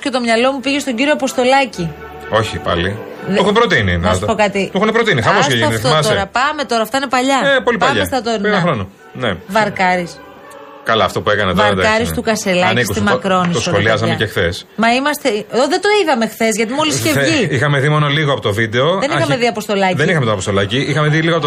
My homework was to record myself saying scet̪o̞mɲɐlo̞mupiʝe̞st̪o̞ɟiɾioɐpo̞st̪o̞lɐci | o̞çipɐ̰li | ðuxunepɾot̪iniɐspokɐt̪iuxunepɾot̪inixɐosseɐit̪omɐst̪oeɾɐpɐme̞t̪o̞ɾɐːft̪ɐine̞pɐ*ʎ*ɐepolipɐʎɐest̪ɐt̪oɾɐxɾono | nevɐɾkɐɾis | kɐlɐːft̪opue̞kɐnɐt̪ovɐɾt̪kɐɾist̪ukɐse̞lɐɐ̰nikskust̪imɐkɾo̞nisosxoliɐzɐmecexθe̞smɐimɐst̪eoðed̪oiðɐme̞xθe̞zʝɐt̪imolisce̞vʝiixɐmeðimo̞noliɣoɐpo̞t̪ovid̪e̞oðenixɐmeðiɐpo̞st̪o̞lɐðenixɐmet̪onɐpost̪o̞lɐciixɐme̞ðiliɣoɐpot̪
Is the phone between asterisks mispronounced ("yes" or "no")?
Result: no